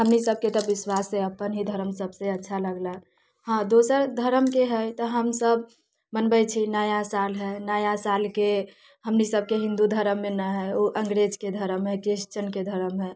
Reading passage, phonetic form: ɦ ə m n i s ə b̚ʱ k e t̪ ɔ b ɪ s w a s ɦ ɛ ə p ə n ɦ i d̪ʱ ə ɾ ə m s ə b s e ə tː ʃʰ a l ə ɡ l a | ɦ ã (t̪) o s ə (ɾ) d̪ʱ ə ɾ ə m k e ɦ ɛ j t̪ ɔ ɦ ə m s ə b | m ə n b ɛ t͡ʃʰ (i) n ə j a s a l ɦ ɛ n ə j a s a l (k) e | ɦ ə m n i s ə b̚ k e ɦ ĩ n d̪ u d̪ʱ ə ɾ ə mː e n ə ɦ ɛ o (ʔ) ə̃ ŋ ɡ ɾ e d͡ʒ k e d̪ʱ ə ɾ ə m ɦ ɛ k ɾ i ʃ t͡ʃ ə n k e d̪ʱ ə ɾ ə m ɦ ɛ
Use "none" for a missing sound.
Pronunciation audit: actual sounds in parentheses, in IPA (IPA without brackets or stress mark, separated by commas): d̪, ɾ, i, k, ʔ